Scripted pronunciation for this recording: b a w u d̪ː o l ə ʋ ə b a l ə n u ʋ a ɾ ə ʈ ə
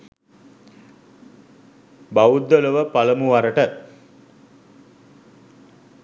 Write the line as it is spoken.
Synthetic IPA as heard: b a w u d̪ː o l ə ʋ ə p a l ə m u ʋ a ɾ ə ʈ ə